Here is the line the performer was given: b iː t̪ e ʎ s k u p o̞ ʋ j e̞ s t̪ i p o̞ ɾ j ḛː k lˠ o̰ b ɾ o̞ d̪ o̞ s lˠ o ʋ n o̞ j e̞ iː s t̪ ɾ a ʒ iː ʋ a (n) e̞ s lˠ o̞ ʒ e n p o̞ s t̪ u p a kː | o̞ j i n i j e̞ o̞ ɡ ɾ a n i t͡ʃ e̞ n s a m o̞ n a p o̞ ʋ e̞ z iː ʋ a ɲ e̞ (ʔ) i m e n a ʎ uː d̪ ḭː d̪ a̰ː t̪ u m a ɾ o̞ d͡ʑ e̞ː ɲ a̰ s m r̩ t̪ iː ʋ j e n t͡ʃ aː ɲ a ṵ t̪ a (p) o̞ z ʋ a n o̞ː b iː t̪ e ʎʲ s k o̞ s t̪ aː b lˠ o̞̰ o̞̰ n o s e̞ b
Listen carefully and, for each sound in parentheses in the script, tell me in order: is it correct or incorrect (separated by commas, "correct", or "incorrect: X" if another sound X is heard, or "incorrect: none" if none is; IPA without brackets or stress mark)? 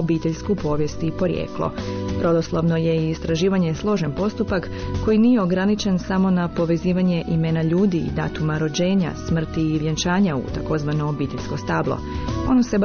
incorrect: ɲ, correct, incorrect: k